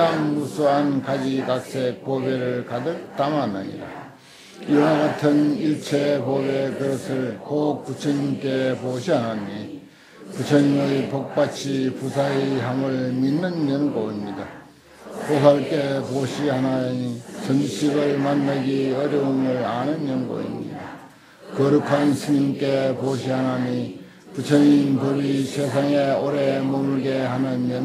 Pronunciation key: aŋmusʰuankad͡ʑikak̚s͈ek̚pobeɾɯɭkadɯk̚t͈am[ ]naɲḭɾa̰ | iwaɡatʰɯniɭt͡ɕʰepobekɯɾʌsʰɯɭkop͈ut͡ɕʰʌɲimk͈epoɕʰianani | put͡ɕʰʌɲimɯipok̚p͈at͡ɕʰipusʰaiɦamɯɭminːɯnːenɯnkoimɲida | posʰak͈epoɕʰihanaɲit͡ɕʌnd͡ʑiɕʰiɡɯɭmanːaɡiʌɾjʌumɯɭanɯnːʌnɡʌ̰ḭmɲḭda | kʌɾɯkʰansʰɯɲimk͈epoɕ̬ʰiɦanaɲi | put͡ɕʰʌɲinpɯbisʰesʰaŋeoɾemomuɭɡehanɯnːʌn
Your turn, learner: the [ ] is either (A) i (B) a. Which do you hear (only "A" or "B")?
B